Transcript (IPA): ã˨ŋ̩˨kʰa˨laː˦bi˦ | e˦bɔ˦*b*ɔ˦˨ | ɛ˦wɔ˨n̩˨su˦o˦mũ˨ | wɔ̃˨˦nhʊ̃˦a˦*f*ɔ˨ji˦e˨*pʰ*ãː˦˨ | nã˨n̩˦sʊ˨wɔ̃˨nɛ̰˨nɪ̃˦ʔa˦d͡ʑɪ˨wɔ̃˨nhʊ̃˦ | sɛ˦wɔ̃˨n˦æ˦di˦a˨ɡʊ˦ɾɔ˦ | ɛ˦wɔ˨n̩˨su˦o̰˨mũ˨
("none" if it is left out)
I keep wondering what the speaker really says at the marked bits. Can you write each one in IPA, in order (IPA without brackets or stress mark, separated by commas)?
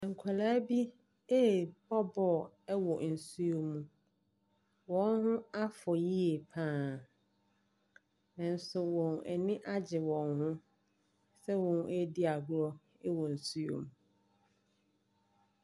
b, f, pʰ